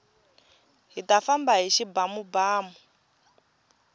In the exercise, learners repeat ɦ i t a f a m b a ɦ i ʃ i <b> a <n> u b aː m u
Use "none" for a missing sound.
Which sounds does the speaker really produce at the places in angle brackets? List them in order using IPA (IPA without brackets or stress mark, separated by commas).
b, m